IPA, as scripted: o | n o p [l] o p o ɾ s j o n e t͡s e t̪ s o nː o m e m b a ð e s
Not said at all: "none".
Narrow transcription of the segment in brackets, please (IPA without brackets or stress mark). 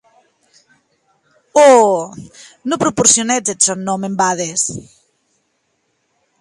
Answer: ɾ